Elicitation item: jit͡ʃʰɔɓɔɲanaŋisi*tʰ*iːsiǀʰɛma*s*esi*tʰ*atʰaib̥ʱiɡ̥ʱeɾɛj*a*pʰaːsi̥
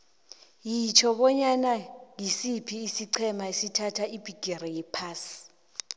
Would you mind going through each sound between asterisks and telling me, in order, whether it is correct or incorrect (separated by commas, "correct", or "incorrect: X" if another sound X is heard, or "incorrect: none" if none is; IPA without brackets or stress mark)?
incorrect: pʰ, incorrect: none, correct, incorrect: ɛ